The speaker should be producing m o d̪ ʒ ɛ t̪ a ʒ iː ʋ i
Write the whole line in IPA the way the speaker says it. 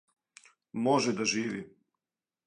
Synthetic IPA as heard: m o ʒ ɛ d̪ a ʒ iː ʋ i